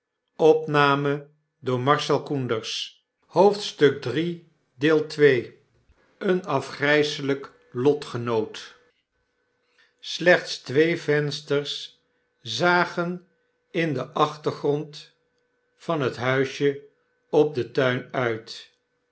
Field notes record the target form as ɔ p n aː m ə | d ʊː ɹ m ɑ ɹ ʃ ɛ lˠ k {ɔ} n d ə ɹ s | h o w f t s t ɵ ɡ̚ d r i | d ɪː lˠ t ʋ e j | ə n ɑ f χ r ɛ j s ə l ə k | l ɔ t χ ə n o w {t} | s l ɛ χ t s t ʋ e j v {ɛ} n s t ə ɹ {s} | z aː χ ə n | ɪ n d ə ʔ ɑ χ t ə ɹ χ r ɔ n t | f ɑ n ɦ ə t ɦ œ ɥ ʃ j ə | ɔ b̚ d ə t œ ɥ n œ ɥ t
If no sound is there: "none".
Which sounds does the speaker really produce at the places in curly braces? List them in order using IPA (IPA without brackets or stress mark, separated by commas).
u, t, ɛ, s